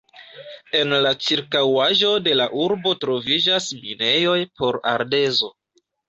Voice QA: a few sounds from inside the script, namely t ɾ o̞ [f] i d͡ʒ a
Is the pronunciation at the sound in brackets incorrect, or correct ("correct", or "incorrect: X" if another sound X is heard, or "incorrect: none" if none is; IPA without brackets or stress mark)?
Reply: incorrect: v